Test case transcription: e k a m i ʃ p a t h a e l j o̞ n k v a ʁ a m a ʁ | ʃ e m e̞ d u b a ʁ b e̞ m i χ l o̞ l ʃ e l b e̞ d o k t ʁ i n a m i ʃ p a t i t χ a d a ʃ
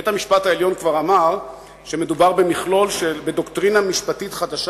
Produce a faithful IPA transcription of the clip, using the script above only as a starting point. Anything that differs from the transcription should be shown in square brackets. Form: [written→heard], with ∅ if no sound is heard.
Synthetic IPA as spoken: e [k→t] a m i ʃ p a t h a e l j o̞ n k v a ʁ a m a ʁ | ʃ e m e̞ d u b a ʁ b e̞ m i χ l o̞ l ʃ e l b e̞ d o k t ʁ i n a m i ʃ p a t i t χ a d a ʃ

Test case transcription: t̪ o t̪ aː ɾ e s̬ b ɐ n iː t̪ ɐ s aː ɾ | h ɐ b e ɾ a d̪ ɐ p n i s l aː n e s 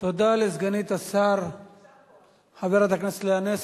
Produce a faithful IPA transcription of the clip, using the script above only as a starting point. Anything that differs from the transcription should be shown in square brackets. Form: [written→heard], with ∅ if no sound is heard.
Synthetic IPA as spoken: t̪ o [t̪→d̪] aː [ɾ→l] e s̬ [b→ɡ] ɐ n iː t̪ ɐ s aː ɾ | h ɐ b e ɾ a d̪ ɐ [p→k] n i s l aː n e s

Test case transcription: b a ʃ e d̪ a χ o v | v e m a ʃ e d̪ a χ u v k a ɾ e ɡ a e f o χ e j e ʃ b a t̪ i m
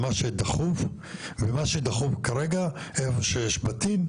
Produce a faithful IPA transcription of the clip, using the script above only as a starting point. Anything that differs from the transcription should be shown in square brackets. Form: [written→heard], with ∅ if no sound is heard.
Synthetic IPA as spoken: [b→m] a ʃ e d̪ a χ [o→u] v | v e m a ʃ e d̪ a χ u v k a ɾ e ɡ a e f o [χ→ʃ] e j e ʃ b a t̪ i m

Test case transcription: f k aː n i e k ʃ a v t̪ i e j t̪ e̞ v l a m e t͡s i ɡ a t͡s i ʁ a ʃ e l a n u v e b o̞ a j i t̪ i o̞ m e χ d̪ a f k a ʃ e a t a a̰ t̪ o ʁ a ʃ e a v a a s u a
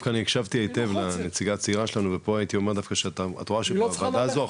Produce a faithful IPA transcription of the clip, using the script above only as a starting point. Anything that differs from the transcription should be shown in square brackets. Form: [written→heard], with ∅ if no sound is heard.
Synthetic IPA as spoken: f k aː n i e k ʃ a v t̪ i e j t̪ e̞ v l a [m→n] e t͡s i ɡ a t͡s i ʁ a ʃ e l a n u v e [b→p] o̞ a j i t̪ i o̞ m e [χ→ʁ] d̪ a f k a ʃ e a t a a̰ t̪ o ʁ a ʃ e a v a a [s→z] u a

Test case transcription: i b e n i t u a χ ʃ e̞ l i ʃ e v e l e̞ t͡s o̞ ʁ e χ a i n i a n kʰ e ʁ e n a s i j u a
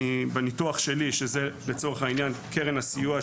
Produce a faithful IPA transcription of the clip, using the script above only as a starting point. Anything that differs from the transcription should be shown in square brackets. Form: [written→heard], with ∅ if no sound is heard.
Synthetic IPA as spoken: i b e n i t u a χ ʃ e̞ l i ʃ e [v→z] e l e̞ t͡s o̞ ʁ e χ a i n [i→j] a n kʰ e ʁ e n a s i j u a

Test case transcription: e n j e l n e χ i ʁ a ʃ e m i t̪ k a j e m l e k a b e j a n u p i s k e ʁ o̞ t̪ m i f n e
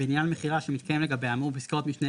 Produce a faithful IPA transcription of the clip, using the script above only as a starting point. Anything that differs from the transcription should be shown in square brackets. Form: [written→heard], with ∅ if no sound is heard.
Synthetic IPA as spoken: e n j [e→a] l [n→m] e χ i ʁ a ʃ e m i t̪ k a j e m l e [k→ɡ] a b e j a [n→m] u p i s k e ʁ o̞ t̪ m i [f→ʃ] n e

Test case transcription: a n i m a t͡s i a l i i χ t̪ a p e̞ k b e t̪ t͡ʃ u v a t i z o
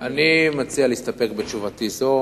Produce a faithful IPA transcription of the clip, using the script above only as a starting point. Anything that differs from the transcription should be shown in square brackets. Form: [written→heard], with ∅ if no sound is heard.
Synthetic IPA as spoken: a n i m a t͡s i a l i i [χ→s] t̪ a p e̞ k b e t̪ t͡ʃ u v a t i z o

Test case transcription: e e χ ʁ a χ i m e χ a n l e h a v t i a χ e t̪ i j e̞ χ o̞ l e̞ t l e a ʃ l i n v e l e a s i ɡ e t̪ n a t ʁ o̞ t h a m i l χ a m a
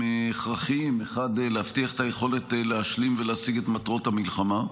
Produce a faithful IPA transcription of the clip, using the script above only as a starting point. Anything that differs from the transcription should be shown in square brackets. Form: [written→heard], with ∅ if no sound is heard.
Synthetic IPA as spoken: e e χ ʁ a χ i m e χ a [n→d] l e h a [v→f] t i a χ e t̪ [i→a] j e̞ χ o̞ l e̞ t l e a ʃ l i [n→m] v e l e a s i ɡ e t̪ [n→m] a t ʁ o̞ t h a m i l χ a m a

